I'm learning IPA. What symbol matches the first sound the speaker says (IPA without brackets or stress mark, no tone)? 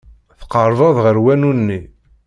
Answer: θ